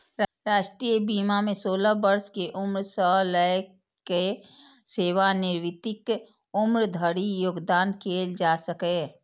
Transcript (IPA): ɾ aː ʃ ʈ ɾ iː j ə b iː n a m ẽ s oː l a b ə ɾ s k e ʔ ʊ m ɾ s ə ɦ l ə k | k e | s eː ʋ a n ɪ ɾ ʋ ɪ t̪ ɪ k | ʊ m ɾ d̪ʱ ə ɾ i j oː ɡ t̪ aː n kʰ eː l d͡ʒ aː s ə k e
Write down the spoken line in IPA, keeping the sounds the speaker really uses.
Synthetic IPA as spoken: ɾ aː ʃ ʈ ɾ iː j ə b iː m a m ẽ s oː l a b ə ɾ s k e ʔ ʊ m ɾ s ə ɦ l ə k | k e | s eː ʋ a n ɪ ɾ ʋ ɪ t̪ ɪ k | ʊ m ɾ d̪ʱ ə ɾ i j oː ɡ d̪ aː n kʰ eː l d͡ʒ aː s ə k e